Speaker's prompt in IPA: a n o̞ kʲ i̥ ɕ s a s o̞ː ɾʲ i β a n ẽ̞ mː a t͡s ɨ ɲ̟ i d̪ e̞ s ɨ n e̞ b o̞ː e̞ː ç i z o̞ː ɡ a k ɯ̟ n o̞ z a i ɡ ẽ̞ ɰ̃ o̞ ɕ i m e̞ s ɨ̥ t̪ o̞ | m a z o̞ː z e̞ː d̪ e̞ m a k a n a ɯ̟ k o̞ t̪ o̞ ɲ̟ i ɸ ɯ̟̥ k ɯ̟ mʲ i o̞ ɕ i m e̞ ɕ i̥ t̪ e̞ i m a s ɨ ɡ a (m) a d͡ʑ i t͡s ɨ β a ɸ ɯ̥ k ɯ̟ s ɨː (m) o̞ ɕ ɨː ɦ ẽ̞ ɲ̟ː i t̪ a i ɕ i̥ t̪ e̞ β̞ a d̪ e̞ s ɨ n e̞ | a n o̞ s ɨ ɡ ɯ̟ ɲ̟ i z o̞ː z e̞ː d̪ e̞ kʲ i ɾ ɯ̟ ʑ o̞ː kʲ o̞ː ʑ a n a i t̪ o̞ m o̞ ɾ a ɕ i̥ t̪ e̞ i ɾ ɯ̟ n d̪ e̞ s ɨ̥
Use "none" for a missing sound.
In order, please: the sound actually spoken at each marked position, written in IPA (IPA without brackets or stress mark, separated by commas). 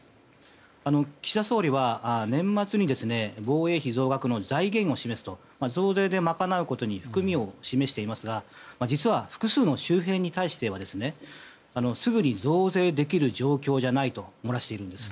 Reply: m, n